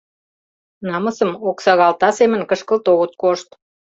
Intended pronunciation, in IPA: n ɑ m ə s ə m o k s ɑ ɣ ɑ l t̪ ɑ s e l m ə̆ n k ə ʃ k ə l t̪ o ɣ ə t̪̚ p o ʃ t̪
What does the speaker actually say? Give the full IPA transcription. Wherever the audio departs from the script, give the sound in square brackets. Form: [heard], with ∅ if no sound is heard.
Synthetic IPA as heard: n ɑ m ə s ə m o k s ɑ ɣ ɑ l t̪ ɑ s e [∅] m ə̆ n k ə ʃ k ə l t̪ o ɣ ə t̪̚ [k] o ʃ t̪